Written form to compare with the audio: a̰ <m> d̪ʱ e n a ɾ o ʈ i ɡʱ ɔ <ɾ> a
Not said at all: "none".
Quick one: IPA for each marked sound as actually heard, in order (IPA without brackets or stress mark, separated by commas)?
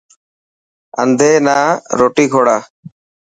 n, ɽ